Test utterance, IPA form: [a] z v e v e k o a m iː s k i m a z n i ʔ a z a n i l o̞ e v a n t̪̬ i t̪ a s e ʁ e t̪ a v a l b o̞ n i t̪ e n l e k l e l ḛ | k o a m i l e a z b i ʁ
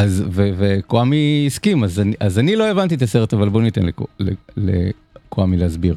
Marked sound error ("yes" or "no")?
no